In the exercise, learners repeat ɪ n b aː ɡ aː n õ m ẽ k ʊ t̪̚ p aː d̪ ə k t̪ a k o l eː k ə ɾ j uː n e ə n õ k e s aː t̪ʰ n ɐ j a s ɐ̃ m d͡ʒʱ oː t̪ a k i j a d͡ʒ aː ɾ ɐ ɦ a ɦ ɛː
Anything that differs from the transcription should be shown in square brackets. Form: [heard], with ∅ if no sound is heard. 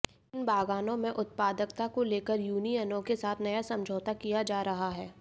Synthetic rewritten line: ɪ n b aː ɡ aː n õ m ẽ [ʔ] ʊ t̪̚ p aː d̪ ə k t̪ a k o l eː k ə ɾ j uː n [i] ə n õ k e s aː t̪ʰ n ɐ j a s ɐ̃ m d͡ʒʱ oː t̪ a k i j a d͡ʒ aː ɾ ɐ ɦ a ɦ ɛː